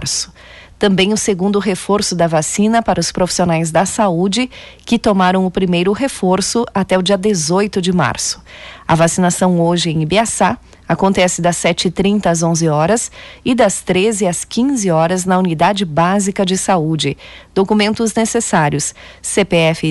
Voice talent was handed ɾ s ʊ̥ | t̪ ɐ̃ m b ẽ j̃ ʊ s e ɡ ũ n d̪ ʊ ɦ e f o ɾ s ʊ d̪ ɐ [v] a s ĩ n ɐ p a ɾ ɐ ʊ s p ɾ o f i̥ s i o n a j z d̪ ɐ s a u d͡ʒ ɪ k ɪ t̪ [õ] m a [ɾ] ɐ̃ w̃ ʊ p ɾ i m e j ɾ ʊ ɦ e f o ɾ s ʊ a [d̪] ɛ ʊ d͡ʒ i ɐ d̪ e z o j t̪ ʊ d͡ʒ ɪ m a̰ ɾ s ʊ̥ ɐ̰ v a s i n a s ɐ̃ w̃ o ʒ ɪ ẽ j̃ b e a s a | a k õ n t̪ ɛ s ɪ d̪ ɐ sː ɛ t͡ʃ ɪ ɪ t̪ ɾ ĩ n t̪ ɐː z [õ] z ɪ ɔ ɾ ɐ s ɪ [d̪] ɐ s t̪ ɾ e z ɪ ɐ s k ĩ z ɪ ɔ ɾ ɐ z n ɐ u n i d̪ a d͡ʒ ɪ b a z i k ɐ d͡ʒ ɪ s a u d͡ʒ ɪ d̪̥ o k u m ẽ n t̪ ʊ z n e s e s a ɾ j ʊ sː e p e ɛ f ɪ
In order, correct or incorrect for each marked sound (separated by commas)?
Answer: correct, incorrect, correct, incorrect, correct, correct